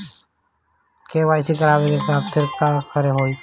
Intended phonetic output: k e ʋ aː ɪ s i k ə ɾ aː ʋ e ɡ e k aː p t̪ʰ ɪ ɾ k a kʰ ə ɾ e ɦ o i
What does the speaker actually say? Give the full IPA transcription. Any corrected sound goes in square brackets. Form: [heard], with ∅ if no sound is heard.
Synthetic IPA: k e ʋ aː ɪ s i k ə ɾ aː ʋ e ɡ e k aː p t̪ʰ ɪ ɾ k a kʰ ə ɾ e ɦ o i